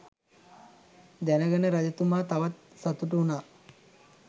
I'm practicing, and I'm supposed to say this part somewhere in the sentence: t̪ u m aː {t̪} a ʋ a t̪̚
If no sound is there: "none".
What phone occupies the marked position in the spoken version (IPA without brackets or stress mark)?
t̪